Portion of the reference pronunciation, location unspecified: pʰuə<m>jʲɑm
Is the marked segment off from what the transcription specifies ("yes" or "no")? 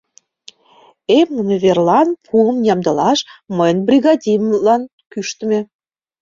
no